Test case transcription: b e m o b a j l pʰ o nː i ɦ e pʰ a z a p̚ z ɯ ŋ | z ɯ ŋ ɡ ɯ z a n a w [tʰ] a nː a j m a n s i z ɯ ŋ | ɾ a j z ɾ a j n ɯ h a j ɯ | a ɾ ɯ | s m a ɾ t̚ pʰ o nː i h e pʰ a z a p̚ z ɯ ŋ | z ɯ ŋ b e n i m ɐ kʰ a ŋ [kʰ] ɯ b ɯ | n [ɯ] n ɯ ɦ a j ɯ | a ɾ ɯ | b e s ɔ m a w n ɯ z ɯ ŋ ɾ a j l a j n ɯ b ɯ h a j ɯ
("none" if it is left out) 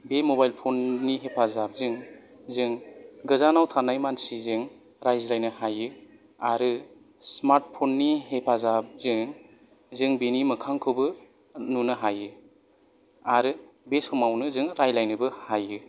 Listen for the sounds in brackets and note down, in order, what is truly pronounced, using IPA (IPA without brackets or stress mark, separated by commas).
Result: tʰ, kʰ, u